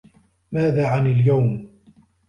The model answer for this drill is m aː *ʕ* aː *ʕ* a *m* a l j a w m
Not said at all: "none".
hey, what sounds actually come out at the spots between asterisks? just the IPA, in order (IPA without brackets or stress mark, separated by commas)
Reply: ð, ʕ, n